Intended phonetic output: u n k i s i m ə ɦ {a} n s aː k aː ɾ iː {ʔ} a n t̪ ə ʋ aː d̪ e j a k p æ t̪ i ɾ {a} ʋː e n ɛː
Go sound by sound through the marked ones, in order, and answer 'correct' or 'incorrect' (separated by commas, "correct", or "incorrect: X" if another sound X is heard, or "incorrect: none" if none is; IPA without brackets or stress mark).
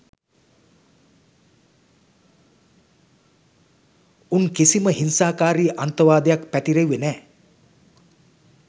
incorrect: i, correct, incorrect: e